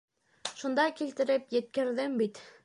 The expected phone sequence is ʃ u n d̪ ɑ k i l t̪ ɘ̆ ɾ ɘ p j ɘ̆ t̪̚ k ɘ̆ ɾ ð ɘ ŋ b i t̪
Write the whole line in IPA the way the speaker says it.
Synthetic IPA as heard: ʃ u n d̪ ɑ k i l t̪ ɘ̆ ɾ ɘ p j ɘ̆ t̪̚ k ɘ̆ ɾ ð ɘ m b i t̪